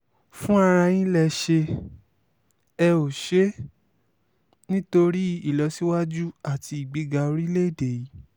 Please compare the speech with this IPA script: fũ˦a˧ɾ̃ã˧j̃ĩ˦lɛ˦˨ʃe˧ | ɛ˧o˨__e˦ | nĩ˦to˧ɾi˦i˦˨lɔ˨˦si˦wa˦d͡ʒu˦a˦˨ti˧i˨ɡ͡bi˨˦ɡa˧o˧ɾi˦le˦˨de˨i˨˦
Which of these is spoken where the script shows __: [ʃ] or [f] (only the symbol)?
ʃ